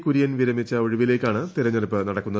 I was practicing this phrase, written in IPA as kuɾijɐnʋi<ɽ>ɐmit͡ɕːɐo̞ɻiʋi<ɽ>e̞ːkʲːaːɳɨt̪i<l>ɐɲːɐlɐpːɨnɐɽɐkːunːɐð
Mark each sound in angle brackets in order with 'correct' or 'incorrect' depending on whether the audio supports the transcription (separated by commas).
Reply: incorrect, incorrect, incorrect